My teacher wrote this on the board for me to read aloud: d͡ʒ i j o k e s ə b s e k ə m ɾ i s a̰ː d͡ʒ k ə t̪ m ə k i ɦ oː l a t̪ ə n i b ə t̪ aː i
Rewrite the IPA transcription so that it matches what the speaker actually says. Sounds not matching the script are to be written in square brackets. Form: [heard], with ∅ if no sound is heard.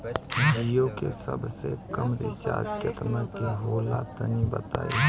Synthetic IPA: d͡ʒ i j o k e s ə b s e k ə m ɾ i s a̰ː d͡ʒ k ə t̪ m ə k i ɦ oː l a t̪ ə n i b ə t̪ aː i